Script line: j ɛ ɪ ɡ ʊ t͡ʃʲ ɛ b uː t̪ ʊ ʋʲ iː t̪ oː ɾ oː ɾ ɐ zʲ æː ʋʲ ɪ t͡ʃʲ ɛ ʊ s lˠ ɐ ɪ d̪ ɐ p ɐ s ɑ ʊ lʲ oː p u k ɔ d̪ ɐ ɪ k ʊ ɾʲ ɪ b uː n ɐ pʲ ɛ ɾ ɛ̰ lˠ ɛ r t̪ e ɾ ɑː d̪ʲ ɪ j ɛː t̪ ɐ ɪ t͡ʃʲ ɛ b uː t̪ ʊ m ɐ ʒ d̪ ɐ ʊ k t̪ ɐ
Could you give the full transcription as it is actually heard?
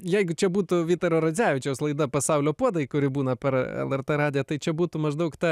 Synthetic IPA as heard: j ɛ ɪ ɡ ʊ t͡ʃʲ ɛ b uː t̪ ʊ ʋʲ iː t̪ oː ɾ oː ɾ ɐ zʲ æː ʋʲ ɪ t͡ʃʲ ɛ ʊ s lˠ ɐ ɪ d̪ ɐ p ɐ s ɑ ʊ lʲ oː p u ɔ d̪ ɐ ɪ k ʊ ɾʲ ɪ b uː n ɐ pʲ ɛ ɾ ɛ̰ lˠ ɛ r t̪ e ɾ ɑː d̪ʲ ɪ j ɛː t̪ ɐ ɪ t͡ʃʲ ɛ b uː t̪ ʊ m ɐ ʒ d̪ ɐ ʊ k t̪ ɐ